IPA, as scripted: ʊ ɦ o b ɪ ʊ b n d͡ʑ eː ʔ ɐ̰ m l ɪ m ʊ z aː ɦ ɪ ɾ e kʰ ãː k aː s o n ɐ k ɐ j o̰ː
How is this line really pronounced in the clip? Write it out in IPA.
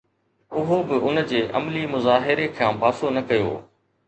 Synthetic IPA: ʊ ɦ o b ɪ ʊ n d͡ʑ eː ʔ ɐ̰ m l i m ʊ z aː ɦ ɪ ɾ e kʰ ãː p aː s o n ɐ k ɐ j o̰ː